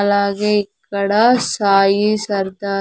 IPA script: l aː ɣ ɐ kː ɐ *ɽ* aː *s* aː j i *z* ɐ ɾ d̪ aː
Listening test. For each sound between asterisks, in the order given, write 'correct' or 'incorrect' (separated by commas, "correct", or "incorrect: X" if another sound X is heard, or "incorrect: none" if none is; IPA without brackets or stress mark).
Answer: correct, correct, incorrect: s